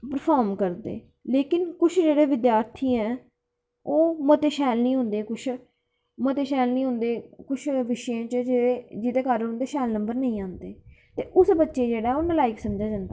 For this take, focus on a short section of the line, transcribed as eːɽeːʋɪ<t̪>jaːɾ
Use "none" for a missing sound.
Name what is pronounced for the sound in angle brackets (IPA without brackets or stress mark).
d̪